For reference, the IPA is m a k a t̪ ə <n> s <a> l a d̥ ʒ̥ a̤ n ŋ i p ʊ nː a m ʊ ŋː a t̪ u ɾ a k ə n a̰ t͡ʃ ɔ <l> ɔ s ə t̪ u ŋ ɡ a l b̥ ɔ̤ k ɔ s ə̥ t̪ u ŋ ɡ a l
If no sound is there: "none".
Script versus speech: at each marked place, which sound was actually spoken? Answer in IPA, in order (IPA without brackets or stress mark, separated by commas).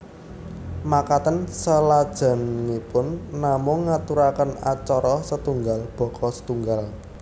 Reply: n, ə, ɾ